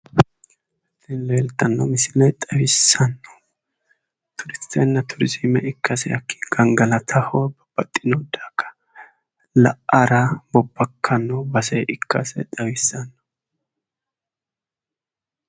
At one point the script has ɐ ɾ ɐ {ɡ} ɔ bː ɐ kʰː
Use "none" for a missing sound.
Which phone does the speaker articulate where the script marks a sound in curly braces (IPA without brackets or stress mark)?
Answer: b